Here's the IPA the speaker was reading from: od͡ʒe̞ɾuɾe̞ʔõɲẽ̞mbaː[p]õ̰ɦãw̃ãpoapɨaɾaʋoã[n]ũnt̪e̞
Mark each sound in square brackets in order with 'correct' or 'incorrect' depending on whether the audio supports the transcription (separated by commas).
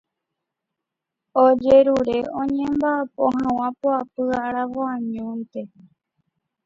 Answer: correct, incorrect